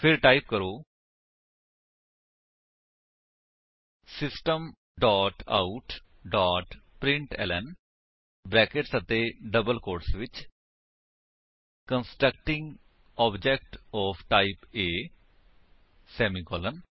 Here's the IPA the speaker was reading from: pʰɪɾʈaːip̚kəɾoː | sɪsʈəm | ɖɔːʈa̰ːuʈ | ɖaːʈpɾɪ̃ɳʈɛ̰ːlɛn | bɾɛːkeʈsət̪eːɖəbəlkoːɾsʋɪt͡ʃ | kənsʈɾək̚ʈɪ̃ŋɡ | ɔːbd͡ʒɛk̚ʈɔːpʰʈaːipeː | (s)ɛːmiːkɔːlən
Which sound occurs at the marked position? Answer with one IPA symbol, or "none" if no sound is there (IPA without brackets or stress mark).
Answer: s